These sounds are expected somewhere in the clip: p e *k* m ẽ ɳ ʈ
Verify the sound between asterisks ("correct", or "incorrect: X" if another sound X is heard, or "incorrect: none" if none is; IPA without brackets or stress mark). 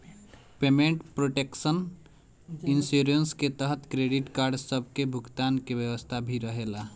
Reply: incorrect: none